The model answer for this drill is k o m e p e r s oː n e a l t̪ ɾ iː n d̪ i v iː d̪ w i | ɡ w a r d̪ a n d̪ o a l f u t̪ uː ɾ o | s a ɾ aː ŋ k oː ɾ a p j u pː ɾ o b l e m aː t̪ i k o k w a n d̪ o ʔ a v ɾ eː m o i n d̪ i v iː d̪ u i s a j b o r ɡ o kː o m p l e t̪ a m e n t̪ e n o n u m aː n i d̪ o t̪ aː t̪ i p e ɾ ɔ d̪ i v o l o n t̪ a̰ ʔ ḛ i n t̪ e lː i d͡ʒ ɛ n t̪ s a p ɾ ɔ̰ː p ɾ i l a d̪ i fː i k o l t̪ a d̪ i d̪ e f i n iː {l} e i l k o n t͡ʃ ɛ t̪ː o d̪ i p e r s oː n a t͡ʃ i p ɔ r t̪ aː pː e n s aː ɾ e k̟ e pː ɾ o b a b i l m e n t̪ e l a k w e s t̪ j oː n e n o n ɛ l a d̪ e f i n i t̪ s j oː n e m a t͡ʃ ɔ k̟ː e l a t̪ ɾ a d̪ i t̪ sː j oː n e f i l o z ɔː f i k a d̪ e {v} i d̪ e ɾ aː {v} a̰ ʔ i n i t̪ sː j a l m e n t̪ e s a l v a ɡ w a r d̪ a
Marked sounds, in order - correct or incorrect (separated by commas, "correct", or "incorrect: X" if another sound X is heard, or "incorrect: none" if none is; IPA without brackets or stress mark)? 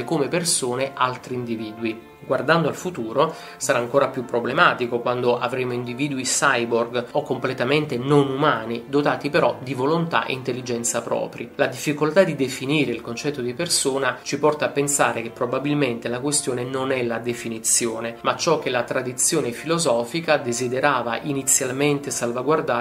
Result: incorrect: ɾ, incorrect: z, correct